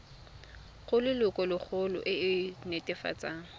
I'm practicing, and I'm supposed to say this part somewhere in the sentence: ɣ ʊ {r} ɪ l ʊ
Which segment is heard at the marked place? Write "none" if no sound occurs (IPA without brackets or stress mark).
l